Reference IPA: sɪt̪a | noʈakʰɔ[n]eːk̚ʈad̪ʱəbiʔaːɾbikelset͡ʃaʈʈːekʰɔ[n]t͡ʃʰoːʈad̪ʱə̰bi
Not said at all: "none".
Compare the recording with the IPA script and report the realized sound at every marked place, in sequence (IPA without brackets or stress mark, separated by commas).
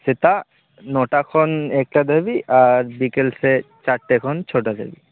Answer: n, n